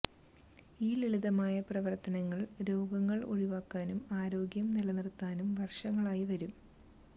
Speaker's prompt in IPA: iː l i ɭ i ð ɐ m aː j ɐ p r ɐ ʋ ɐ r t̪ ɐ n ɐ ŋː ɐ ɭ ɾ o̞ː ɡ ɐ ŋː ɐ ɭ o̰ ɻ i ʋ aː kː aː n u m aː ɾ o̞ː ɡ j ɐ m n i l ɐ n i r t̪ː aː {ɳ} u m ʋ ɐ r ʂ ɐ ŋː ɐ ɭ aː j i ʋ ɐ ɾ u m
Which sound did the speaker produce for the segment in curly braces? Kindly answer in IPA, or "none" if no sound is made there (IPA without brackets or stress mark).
n